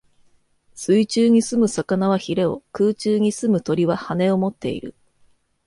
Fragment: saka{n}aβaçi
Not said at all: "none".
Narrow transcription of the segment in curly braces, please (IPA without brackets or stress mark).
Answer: n